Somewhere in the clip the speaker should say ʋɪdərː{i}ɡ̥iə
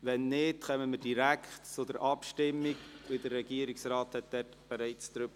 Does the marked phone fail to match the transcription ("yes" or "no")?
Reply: yes